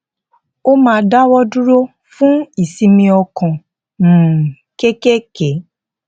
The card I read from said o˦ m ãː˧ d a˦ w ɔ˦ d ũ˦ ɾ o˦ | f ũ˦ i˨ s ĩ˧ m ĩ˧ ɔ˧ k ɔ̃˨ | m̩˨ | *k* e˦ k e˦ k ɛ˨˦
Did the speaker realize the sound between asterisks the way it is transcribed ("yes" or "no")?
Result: yes